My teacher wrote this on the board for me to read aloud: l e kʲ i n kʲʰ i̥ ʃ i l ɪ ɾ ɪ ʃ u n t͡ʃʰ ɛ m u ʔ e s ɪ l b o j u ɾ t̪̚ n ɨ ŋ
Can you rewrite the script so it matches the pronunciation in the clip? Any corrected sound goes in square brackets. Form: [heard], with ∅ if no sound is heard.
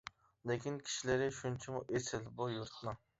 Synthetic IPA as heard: l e kʲ i n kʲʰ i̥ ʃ i l ɪ ɾ ɪ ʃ u n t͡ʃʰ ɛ m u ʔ e s ɪ l b [u] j u ɾ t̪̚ n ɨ ŋ